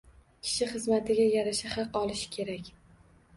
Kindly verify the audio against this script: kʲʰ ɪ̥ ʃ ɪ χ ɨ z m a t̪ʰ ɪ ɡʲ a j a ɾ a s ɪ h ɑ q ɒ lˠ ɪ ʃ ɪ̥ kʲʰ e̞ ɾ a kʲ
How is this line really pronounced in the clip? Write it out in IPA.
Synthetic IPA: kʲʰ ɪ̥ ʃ ɪ χ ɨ z m a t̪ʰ ɪ ɡʲ a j a ɾ a ʃ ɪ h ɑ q ɒ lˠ ɪ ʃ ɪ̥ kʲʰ e̞ ɾ a kʲ